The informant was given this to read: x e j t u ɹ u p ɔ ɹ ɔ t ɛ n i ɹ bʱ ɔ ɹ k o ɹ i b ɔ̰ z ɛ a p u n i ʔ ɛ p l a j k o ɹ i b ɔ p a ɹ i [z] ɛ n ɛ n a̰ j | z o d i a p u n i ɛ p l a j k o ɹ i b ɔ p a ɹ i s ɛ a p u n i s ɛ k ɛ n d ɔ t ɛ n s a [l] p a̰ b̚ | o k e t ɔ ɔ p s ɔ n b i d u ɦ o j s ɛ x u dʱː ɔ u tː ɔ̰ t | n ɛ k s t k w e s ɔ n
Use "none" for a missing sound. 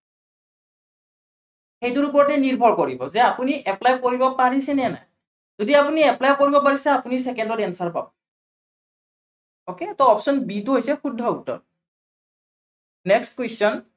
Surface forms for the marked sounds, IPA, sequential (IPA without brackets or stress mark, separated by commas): s, ɹ